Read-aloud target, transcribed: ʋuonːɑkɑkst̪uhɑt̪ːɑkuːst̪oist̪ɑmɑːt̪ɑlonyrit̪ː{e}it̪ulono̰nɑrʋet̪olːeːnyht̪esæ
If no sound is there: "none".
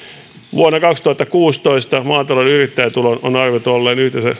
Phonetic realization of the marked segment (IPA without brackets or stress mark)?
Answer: æ